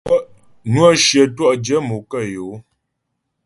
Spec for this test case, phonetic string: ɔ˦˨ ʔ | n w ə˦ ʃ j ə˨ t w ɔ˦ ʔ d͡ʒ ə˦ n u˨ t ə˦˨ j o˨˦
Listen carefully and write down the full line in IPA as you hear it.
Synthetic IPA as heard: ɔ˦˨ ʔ | n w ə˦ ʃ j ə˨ t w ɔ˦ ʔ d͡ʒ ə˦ m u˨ k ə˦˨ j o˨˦